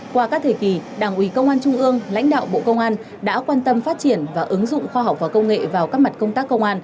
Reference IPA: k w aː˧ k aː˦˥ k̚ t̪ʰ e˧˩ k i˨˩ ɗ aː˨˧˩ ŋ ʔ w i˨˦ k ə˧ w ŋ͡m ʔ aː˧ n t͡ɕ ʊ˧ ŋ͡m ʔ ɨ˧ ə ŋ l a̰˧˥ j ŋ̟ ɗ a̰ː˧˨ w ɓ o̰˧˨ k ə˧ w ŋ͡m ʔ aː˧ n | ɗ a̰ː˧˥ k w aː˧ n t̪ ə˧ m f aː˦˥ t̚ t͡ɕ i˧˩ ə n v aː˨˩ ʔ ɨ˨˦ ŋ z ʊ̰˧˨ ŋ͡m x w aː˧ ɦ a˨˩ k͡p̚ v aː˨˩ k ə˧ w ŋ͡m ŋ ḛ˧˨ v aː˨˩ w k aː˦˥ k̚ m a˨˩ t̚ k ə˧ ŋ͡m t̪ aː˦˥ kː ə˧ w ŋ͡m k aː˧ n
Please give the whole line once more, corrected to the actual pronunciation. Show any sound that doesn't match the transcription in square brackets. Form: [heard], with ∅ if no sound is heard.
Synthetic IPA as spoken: k w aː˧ k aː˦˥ k̚ t̪ʰ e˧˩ k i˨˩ ɗ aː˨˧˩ ŋ ʔ w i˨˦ k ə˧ w ŋ͡m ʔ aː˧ n t͡ɕ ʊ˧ ŋ͡m ʔ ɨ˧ ə ŋ l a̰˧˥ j ŋ̟ ɗ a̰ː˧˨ w ɓ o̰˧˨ k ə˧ w ŋ͡m ʔ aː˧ n | ɗ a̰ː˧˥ k w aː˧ n t̪ ə˧ m f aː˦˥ t̚ t͡ɕ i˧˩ ə n v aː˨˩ ʔ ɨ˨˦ ŋ z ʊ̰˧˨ ŋ͡m x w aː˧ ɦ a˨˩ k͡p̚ v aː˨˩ k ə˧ w ŋ͡m ŋ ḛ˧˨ v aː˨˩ w k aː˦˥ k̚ m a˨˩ t̚ k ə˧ ŋ͡m t̪ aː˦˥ kː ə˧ w ŋ͡m [ʔ] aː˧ n